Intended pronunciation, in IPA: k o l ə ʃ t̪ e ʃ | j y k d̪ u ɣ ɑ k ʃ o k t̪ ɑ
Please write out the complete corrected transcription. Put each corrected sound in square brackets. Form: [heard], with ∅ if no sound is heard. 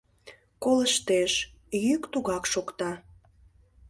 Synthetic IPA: k o l ə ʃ t̪ e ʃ | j y k [t̪] u ɣ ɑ k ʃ o k t̪ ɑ